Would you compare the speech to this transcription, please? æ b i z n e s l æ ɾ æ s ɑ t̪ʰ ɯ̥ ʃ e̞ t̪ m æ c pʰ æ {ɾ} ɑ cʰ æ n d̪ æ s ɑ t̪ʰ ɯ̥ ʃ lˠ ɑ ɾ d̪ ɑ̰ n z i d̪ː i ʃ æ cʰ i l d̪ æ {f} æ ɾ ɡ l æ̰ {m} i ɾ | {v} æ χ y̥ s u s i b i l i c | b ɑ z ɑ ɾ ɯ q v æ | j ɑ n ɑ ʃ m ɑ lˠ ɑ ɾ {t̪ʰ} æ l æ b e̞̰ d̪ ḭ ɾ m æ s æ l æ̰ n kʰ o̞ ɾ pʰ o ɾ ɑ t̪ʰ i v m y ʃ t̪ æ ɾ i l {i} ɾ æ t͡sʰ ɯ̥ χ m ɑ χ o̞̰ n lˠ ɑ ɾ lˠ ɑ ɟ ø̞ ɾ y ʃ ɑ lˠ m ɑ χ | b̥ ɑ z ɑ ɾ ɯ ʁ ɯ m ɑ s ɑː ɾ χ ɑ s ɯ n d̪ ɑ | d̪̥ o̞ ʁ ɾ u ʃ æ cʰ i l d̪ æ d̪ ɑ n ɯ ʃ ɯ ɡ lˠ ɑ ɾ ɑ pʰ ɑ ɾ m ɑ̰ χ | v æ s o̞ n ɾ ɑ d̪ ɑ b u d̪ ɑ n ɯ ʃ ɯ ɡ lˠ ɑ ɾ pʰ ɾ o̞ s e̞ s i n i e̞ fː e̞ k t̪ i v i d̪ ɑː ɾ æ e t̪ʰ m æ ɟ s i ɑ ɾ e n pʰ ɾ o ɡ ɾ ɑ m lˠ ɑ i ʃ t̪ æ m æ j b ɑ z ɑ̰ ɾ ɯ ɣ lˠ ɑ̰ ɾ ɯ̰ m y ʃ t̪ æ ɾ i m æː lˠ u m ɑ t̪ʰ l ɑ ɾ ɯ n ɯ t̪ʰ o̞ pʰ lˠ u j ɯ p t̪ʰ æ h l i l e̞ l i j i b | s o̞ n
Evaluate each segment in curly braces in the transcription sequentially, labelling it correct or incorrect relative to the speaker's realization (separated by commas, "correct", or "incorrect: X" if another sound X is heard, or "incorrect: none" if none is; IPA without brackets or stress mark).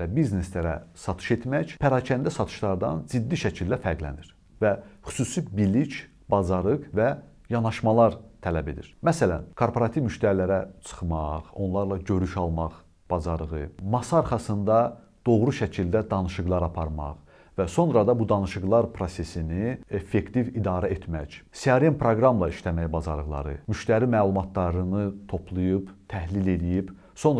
correct, correct, incorrect: n, correct, correct, incorrect: æ